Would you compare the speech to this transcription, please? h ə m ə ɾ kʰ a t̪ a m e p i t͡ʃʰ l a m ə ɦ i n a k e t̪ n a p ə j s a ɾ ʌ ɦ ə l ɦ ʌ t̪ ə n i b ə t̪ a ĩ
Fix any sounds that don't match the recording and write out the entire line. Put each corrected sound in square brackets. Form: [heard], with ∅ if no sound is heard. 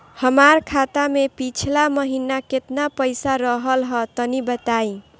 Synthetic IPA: h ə m [a] ɾ kʰ a t̪ a m e p i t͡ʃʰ l a m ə ɦ i n a k e t̪ n a p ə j s a ɾ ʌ ɦ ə l ɦ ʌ t̪ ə n i b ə t̪ a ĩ